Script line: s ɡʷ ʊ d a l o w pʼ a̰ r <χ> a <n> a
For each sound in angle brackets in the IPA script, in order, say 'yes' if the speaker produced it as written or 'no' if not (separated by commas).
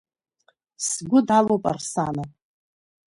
no, yes